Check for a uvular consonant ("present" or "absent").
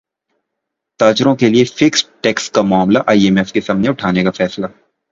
absent